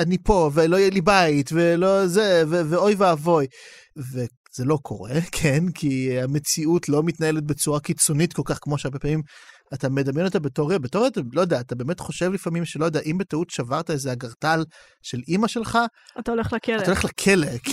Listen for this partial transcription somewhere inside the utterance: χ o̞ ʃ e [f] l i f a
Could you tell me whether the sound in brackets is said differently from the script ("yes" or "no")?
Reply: yes